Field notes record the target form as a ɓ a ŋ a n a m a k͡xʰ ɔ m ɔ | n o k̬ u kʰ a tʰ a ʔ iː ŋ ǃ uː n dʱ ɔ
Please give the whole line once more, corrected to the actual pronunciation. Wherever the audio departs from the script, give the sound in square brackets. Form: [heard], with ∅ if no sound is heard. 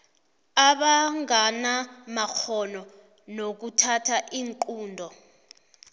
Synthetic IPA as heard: a ɓ a ŋ a n a m a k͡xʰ ɔ [n] ɔ | n o k̬ u [tʰ] a tʰ a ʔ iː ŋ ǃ uː n dʱ ɔ